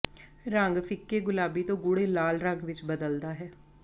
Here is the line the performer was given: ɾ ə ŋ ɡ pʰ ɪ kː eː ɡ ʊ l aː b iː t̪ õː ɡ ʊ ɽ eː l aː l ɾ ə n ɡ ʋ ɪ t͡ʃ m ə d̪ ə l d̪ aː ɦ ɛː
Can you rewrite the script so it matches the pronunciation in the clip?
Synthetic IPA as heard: ɾ ə ŋ ɡ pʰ ɪ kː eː ɡ ʊ l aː b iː t̪ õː ɡ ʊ ɽ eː l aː l ɾ ə ŋ ɡ ʋ ɪ t͡ʃ b ə d̪ ə l d̪ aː ɦ ɛː